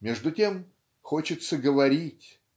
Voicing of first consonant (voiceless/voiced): voiced